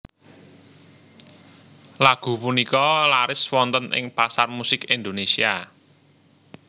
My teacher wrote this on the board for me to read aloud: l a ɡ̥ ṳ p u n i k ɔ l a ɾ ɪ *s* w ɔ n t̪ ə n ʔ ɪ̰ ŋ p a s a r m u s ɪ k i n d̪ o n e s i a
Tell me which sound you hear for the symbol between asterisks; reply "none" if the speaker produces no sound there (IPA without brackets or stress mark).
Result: s